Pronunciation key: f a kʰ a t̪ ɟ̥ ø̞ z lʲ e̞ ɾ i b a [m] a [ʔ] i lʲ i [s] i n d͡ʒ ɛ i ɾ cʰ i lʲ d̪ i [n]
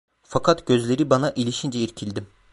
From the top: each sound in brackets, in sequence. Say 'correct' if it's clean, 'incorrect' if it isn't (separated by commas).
incorrect, correct, incorrect, incorrect